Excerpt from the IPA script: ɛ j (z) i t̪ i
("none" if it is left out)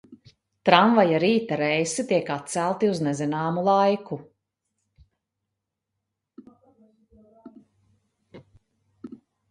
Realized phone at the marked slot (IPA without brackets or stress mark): s